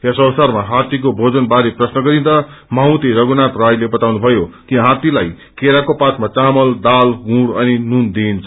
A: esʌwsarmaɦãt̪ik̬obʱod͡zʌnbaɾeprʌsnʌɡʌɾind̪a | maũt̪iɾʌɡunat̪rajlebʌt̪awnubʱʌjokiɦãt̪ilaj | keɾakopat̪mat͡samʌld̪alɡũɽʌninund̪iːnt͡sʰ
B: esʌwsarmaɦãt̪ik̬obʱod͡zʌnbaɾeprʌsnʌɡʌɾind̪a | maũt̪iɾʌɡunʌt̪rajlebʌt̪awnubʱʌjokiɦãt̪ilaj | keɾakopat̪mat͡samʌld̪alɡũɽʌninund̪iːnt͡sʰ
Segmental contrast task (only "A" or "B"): A